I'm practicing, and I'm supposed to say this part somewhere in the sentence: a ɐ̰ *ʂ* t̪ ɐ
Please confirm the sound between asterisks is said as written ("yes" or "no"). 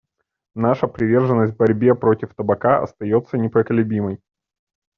no